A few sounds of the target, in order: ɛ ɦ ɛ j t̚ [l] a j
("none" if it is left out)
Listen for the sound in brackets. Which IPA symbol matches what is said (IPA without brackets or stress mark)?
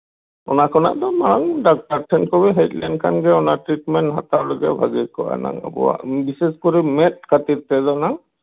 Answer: l